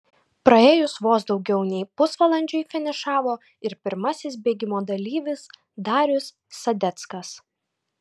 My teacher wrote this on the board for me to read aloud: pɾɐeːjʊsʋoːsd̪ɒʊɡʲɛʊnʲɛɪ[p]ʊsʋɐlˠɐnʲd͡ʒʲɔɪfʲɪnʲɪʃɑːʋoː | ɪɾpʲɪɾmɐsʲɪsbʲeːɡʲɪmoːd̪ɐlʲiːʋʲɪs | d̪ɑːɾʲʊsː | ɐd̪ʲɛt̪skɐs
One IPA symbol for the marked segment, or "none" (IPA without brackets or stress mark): p